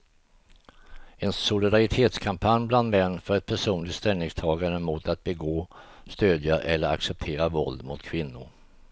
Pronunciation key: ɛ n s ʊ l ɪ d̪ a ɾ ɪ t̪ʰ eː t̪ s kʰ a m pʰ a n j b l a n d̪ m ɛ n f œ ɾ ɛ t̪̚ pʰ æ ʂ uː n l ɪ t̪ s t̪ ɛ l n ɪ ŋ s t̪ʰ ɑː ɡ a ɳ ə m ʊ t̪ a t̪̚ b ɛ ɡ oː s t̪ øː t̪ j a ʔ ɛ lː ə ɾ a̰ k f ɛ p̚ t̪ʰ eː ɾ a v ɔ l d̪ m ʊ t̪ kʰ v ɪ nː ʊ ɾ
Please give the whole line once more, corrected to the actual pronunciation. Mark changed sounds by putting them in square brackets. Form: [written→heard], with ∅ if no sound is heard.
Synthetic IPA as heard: ɛ n s ʊ l ɪ d̪ a ɾ ɪ t̪ʰ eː t̪ s kʰ a m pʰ a n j b l a n d̪ m ɛ [n→nː] f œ ɾ ɛ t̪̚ pʰ æ ʂ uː n l ɪ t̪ s t̪ ɛ l n ɪ ŋ s t̪ʰ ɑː ɡ a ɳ ə m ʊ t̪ a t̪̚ b ɛ ɡ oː s t̪ øː [t̪→d̪] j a ʔ ɛ lː ə ɾ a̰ k [f→s] ɛ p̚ t̪ʰ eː ɾ a v ɔ l d̪ m ʊ t̪ kʰ v ɪ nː ʊ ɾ